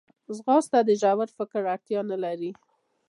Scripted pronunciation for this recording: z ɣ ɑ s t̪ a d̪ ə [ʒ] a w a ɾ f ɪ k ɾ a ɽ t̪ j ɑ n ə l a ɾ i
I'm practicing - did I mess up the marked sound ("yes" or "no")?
no